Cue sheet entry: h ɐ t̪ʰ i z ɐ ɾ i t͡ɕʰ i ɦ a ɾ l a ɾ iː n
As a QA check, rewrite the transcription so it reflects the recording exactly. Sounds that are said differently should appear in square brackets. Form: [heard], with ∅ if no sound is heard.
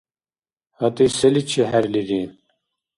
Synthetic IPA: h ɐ [t̪] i [s] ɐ [l] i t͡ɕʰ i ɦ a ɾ l [i] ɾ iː n